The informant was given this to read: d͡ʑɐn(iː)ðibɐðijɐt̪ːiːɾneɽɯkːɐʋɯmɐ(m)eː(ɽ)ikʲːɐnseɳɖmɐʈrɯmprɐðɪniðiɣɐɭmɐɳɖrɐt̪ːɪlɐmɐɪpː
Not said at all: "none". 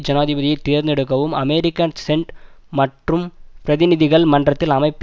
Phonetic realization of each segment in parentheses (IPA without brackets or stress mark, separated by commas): aː, m, ɾ